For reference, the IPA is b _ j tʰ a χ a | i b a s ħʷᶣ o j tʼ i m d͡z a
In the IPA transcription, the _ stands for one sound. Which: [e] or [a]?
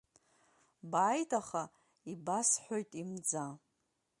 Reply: a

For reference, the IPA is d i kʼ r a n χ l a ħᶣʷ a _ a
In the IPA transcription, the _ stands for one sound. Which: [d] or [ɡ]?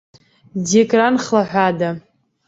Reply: d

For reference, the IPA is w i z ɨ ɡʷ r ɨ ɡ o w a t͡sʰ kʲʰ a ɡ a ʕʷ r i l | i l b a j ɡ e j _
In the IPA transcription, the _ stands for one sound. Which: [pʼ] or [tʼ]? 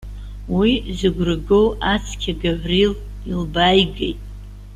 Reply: tʼ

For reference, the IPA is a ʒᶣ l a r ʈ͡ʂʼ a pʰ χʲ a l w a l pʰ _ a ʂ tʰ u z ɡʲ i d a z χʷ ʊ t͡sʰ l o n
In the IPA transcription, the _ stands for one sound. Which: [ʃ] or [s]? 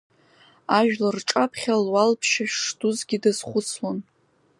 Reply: ʃ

